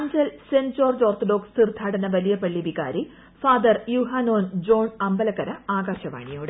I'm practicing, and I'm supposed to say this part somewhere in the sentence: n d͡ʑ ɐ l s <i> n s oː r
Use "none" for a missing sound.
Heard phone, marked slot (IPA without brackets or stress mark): e